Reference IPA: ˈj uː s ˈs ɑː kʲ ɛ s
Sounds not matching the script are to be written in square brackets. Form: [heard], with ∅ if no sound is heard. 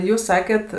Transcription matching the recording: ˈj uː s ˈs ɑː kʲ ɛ [t]